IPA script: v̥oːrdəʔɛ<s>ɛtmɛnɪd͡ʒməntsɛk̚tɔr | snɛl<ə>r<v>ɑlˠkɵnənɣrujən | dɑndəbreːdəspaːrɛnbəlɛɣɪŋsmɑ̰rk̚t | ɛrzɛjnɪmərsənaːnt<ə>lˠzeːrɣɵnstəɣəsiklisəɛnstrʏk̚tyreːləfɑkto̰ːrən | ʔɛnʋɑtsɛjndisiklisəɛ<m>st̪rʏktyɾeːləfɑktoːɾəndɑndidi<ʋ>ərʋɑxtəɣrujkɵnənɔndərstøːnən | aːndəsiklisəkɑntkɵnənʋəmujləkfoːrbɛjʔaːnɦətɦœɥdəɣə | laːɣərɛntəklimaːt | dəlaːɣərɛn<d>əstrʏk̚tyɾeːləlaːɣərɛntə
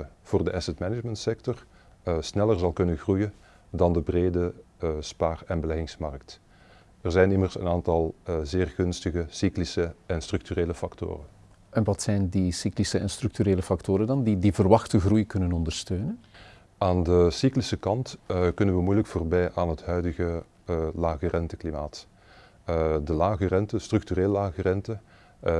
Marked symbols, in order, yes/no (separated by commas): yes, yes, no, no, no, no, no